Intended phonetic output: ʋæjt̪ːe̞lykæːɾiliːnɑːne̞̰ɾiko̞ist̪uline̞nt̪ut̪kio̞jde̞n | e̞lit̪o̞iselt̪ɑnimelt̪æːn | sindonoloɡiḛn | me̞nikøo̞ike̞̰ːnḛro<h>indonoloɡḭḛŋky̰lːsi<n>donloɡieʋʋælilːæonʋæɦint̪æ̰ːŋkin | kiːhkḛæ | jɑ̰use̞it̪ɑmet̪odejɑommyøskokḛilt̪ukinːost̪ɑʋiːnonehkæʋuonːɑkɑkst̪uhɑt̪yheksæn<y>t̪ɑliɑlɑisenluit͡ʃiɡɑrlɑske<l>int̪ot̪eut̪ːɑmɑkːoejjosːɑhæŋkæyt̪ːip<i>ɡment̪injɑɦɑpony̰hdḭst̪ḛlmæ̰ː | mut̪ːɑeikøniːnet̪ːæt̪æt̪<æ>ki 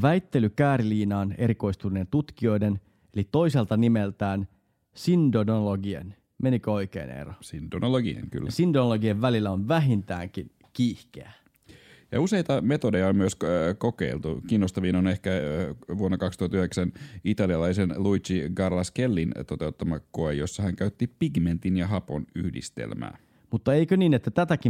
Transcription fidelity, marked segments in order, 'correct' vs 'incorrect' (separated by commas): incorrect, correct, incorrect, incorrect, correct, correct